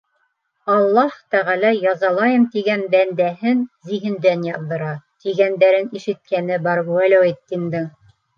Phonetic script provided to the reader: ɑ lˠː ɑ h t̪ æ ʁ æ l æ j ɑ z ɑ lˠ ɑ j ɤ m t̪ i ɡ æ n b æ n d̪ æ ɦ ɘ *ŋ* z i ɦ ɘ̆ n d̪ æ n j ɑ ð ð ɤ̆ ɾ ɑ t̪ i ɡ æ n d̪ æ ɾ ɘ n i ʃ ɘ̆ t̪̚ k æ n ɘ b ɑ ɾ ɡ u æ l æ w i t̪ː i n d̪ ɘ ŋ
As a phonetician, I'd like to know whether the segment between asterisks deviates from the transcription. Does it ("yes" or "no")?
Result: yes